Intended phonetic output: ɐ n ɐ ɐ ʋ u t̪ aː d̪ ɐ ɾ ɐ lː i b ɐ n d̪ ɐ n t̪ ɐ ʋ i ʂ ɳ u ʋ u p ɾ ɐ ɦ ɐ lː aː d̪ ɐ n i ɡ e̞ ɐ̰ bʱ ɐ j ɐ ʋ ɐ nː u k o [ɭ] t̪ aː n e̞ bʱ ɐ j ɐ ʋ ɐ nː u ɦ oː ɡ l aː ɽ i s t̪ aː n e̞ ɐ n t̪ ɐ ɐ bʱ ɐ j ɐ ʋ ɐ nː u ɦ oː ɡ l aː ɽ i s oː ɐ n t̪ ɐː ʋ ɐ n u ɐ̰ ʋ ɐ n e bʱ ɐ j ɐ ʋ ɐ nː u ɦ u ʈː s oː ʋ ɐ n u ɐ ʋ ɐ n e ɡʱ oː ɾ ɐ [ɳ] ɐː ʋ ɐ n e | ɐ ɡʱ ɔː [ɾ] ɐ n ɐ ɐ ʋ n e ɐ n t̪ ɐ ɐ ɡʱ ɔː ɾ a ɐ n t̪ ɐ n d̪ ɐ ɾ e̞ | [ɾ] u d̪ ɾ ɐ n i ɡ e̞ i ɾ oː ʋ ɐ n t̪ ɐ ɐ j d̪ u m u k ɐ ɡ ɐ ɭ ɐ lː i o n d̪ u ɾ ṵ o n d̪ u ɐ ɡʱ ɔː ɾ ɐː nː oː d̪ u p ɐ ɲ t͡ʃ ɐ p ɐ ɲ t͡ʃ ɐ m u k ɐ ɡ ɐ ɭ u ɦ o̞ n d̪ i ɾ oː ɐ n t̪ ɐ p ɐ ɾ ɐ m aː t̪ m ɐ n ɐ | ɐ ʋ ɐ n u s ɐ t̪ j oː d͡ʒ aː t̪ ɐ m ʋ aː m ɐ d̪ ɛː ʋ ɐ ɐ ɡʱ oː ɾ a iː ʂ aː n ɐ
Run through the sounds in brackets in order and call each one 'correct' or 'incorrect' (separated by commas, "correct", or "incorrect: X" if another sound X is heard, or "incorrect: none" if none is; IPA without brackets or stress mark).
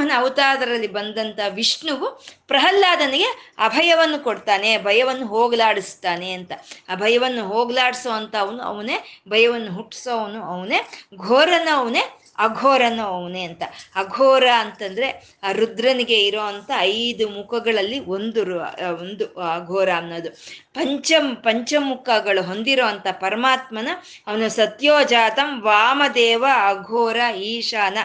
incorrect: ɽ, incorrect: n, correct, correct